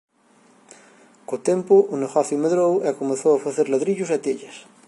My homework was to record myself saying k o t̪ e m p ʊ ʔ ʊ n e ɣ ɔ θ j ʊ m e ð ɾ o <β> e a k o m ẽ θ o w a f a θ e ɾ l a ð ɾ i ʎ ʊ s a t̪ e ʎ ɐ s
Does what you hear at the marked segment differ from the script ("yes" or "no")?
yes